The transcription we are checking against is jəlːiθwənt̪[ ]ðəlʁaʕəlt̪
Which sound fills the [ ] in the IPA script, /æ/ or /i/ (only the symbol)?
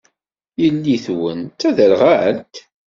æ